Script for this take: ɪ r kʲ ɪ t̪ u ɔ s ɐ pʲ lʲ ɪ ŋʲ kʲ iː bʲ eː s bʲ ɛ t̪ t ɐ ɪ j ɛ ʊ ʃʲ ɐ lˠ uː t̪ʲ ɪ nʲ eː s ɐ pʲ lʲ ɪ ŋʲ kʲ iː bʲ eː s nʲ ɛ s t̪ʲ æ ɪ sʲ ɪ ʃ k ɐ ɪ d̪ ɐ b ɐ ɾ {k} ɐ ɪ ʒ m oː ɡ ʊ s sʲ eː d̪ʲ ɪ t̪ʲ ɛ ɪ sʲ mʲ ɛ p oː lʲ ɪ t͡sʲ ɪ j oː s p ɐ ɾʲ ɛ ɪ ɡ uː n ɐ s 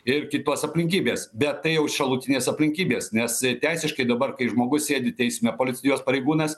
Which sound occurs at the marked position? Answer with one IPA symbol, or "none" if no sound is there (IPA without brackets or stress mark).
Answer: k